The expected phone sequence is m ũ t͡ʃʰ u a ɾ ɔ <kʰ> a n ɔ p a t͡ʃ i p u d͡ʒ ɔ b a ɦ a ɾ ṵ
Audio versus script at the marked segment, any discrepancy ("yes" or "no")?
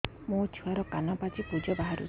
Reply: yes